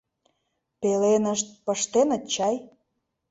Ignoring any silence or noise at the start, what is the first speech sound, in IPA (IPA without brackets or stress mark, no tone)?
p